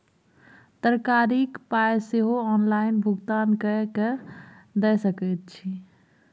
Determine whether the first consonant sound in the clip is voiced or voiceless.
voiceless